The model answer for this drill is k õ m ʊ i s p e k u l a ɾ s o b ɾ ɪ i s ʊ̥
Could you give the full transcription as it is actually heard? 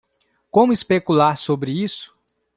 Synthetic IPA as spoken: k õ m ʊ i s p e k u l a ɾ s o b ɾ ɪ i s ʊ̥